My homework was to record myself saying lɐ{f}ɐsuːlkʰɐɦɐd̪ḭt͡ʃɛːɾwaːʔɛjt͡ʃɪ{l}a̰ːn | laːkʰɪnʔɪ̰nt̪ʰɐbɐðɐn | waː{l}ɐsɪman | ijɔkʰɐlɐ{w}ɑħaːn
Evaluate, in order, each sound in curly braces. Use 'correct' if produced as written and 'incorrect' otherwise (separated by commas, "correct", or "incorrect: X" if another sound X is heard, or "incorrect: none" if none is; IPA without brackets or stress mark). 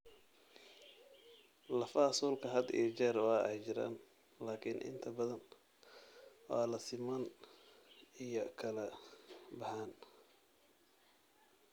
correct, incorrect: ɾ, correct, incorrect: b